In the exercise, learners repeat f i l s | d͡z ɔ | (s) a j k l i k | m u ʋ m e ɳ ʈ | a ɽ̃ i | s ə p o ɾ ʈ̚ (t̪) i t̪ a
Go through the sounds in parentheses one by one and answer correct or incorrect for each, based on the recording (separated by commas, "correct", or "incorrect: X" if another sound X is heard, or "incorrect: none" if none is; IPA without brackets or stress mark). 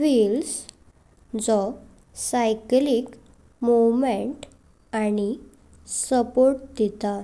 correct, incorrect: d̪